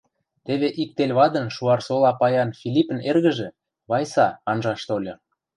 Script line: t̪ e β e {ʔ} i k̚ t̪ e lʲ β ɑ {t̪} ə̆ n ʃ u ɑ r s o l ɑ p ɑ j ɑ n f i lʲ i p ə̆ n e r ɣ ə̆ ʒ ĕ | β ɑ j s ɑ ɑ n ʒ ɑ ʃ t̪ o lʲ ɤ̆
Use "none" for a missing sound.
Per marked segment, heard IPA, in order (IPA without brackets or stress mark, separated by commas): ʔ, d̪